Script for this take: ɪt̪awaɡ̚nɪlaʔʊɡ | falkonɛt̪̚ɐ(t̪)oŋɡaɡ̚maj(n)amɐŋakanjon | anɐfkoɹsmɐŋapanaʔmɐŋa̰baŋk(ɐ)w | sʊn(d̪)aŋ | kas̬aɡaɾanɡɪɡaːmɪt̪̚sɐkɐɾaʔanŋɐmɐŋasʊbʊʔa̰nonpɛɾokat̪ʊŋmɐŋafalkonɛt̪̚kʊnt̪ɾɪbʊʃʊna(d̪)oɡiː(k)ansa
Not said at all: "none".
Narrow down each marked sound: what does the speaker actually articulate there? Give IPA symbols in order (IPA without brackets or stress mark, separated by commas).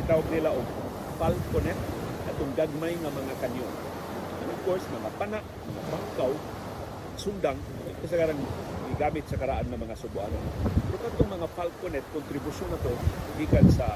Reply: t̪, ŋ, a, d̪, t̪, k